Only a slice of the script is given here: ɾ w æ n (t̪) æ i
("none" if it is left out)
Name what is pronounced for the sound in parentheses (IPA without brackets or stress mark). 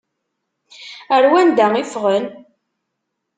d̪